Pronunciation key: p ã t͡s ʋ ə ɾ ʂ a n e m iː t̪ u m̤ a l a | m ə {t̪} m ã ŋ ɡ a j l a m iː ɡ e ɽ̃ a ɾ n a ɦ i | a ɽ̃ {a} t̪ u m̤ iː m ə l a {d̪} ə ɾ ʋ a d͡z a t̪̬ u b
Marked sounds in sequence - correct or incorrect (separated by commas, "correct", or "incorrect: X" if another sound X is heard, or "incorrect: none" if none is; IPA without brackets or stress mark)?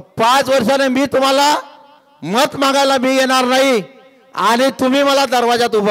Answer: correct, incorrect: i, correct